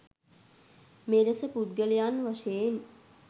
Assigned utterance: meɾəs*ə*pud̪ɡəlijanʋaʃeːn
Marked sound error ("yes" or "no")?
no